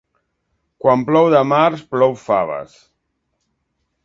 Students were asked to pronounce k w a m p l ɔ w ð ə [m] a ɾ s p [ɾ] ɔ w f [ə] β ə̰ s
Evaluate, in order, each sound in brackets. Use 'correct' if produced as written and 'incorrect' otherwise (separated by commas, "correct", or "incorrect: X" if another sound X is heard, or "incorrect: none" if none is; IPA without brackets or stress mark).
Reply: correct, incorrect: l, incorrect: a